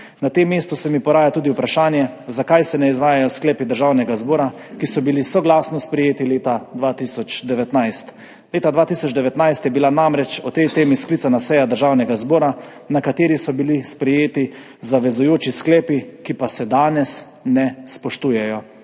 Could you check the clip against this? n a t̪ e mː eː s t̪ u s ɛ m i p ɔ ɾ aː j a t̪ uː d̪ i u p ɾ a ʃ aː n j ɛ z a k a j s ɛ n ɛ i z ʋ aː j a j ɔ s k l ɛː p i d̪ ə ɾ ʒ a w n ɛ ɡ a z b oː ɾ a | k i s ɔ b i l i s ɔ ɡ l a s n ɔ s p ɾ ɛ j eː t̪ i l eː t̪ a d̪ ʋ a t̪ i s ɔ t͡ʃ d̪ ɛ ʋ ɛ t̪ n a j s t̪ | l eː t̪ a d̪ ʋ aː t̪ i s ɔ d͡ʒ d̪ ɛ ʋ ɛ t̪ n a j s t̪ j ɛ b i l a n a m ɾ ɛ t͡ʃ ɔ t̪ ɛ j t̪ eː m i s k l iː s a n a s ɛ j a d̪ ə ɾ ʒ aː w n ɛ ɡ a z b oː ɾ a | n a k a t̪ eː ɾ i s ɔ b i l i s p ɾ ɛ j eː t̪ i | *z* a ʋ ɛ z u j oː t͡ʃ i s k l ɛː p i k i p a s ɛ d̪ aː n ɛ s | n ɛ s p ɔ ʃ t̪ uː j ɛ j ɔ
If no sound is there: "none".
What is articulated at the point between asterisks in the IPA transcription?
z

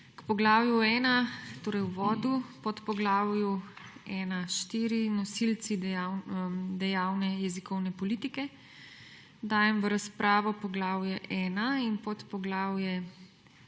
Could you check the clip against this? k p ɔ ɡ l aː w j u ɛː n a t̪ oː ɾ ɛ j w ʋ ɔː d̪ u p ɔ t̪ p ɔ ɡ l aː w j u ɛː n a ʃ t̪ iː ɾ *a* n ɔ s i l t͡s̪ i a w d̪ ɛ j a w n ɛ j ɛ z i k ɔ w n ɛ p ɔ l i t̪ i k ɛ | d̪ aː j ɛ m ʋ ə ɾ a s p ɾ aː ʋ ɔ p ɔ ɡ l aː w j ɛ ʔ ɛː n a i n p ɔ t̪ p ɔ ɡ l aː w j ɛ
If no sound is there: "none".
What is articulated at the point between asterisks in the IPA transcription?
i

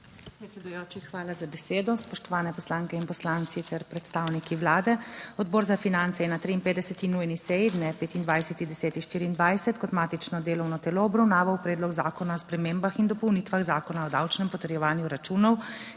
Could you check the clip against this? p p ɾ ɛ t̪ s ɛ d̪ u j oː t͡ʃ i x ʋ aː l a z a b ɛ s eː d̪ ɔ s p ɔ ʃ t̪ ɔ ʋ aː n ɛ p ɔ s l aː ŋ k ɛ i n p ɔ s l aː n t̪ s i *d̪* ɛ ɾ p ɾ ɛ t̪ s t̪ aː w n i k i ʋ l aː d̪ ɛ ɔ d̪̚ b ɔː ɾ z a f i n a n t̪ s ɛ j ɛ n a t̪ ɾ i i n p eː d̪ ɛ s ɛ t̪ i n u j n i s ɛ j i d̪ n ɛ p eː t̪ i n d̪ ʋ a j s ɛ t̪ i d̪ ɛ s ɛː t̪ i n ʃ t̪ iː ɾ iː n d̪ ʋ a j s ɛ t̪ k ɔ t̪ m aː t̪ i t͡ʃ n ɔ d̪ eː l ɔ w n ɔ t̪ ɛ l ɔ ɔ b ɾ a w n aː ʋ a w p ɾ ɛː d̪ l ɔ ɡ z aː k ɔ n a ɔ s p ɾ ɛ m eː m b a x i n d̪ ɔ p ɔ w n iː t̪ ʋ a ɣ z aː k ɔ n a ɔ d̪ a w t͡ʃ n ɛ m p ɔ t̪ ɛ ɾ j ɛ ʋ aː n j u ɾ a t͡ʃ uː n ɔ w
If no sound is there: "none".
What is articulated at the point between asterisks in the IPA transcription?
t̪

